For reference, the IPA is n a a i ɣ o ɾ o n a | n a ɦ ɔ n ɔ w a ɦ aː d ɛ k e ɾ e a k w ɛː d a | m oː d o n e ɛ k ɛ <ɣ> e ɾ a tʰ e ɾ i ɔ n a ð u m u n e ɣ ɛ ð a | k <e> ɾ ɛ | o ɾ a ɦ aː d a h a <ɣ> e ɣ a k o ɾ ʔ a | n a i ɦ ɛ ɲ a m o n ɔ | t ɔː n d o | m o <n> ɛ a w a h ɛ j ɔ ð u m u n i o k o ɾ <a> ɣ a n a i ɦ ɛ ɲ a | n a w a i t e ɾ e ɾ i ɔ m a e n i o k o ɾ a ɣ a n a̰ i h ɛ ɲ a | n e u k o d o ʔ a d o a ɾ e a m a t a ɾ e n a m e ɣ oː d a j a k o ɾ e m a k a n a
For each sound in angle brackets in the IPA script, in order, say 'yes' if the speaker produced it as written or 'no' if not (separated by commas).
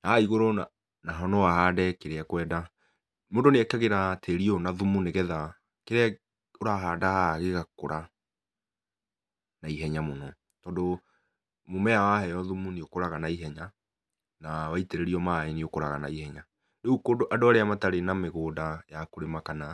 yes, yes, yes, no, yes